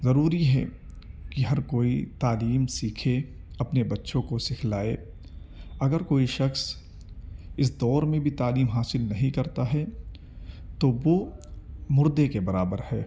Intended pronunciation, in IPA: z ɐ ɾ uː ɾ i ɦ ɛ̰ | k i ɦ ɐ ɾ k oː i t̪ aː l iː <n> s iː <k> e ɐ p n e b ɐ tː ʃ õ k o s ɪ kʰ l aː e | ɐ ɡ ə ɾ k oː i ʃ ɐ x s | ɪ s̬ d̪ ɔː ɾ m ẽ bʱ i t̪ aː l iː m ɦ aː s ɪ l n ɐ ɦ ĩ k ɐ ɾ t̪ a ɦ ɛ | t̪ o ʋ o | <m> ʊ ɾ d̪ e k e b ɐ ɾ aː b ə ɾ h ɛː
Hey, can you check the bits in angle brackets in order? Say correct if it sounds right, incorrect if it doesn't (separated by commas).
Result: incorrect, incorrect, correct